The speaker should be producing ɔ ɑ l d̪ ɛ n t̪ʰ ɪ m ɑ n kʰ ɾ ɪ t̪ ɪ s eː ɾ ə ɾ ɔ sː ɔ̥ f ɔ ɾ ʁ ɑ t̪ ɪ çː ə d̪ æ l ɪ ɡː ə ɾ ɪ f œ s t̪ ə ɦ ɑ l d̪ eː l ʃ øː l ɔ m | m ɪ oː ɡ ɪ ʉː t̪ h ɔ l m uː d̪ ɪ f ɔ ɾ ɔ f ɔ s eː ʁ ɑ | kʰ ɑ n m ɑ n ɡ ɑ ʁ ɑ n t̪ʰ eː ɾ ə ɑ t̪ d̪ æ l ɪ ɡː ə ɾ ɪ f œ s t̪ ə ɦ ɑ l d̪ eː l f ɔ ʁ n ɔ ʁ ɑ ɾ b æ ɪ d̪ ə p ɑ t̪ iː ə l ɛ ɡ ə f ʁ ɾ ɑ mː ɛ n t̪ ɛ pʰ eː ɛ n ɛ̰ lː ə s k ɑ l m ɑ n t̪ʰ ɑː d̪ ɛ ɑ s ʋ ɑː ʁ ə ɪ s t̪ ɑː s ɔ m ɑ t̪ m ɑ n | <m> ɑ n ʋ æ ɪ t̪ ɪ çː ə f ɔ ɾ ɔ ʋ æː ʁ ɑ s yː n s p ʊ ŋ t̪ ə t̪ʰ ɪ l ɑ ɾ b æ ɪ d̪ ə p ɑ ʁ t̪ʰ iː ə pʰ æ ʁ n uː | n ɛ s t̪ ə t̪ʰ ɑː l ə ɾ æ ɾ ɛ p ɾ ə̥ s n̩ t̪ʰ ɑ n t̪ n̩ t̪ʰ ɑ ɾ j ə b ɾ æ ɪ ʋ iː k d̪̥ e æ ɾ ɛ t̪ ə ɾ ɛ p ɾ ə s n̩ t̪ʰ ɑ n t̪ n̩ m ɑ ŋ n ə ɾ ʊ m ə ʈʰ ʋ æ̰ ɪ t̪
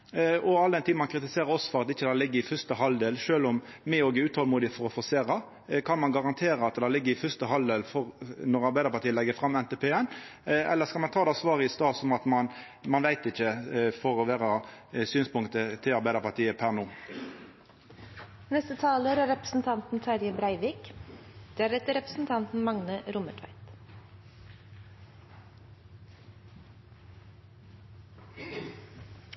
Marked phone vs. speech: correct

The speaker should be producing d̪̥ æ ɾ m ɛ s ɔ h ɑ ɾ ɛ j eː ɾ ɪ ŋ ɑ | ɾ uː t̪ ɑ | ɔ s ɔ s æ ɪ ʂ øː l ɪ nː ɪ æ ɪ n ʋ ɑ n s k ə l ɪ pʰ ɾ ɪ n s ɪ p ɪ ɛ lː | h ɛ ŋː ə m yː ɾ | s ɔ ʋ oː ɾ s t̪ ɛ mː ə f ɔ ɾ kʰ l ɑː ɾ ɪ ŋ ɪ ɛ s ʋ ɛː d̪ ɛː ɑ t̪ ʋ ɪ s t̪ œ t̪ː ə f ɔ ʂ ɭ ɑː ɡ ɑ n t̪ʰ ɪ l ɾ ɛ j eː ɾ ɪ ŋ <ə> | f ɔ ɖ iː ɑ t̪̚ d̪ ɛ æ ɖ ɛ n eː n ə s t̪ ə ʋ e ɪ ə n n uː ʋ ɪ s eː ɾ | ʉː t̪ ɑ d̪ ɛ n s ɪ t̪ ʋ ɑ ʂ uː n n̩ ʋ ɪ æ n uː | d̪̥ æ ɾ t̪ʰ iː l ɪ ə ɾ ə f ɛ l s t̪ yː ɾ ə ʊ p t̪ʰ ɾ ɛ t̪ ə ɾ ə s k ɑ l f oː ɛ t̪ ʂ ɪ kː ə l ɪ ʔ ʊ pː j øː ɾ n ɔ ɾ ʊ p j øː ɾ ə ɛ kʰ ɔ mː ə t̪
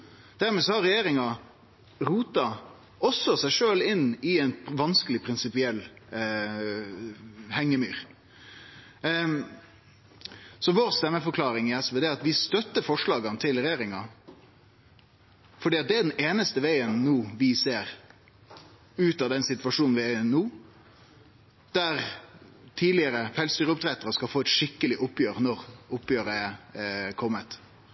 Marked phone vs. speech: incorrect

